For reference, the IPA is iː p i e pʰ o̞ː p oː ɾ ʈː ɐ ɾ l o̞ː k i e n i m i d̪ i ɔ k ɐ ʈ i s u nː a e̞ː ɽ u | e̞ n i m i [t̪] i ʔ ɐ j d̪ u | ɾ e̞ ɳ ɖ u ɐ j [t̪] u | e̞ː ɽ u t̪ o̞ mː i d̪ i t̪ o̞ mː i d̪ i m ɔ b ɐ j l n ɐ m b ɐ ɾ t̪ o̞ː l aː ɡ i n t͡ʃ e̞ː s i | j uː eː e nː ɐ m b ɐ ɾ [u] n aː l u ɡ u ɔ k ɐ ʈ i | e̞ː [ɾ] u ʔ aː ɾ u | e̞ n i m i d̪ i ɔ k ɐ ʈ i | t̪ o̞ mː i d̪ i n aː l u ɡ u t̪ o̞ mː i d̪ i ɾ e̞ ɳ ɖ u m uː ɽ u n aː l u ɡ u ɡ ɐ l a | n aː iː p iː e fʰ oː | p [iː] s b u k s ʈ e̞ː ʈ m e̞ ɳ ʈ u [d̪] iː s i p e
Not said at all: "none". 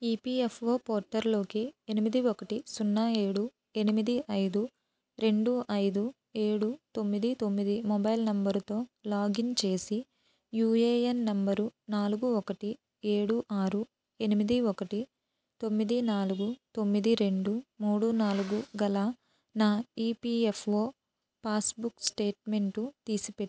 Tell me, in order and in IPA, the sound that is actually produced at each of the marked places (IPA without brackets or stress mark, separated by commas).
d̪, d̪, u, ɽ, aː, t̪